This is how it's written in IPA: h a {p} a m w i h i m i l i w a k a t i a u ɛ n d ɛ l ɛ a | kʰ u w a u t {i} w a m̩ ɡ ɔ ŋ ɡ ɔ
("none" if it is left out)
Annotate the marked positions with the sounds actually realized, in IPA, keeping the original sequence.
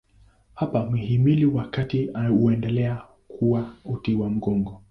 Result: p, i

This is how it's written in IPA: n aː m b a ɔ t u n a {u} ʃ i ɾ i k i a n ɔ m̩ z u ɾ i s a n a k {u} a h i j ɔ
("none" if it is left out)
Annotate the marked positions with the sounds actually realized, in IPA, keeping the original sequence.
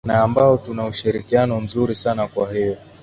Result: u, w

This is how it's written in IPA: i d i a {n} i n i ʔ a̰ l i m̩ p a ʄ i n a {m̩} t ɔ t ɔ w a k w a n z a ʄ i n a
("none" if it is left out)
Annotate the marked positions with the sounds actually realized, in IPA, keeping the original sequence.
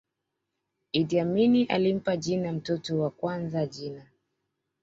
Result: m, m̩

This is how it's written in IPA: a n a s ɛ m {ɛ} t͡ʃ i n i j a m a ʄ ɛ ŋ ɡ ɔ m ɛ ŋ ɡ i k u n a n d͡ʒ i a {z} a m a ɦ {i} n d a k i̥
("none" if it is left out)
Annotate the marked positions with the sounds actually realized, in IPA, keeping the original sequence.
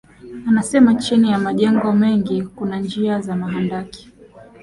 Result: a, z, a

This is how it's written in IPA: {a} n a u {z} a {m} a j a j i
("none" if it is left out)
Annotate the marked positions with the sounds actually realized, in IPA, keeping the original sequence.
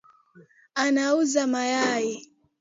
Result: a, z, m

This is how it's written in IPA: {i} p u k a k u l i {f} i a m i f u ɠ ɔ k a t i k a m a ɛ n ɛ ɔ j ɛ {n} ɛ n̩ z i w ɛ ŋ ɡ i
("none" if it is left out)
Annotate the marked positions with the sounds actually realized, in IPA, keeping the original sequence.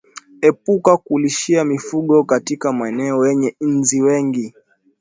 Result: ɛ, ʃ, ɲ

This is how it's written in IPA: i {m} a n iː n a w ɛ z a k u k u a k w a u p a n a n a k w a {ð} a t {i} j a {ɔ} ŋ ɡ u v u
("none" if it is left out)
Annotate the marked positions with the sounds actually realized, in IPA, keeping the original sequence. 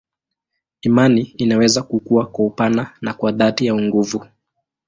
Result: m, ð, i, u

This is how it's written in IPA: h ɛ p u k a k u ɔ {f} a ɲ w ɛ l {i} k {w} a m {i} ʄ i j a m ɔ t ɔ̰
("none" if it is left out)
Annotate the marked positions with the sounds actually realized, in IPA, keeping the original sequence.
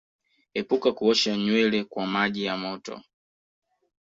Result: ʃ, ɛ, w, a

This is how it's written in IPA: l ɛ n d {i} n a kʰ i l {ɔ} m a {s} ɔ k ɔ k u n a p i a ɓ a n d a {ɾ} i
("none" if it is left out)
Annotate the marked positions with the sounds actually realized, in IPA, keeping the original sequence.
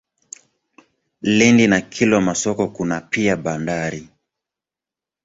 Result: i, ɔ, s, ɾ

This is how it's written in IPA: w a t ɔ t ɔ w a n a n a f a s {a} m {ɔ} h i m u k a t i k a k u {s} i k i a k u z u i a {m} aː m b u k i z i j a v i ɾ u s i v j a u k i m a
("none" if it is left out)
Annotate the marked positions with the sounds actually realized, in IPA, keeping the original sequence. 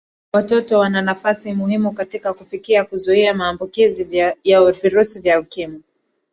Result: i, u, f, m

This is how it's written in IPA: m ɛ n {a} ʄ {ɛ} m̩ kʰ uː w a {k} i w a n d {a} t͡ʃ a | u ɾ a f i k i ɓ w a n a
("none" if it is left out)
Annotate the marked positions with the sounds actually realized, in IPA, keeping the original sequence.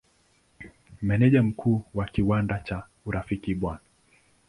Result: ɛ, a, k, a

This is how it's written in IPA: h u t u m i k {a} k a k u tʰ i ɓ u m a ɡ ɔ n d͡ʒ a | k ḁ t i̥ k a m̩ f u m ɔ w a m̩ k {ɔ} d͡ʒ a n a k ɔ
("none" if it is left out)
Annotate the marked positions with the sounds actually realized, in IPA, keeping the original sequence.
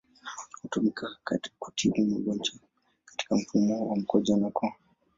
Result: a, ɔ

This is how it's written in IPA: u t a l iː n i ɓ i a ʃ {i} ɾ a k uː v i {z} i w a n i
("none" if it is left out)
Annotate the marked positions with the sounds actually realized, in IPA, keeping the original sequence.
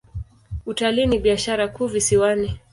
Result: a, s

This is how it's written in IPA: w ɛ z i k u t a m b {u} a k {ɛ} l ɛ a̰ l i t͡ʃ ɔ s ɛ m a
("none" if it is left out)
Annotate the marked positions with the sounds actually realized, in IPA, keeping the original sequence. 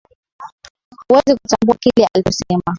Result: u, i

